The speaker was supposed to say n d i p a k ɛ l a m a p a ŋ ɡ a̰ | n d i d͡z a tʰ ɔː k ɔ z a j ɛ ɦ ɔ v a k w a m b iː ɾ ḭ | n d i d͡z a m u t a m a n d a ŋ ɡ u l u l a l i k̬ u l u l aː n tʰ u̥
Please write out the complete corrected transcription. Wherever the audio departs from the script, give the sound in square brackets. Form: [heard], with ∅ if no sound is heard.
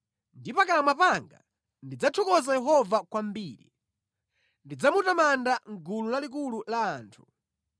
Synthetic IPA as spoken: n d i p a k [a] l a m a p a ŋ ɡ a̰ | n d i d͡z a tʰ [ɔ] k ɔ z a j ɛ ɦ ɔ v a k w a m b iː ɾ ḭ | n d i d͡z a m u t a m a n d a ŋ ɡ u l u l a l i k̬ u l u l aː n tʰ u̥